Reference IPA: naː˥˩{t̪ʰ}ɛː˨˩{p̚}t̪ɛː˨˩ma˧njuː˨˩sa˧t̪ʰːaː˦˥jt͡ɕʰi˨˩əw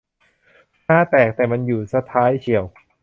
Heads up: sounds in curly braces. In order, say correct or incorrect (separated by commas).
incorrect, incorrect